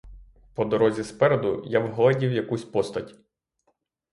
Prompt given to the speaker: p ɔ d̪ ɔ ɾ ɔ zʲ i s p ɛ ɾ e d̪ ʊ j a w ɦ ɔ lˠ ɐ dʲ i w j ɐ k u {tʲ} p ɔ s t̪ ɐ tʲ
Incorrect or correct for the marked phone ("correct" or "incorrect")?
incorrect